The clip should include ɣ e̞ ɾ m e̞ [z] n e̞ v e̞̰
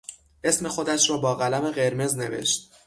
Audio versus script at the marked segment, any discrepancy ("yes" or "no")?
no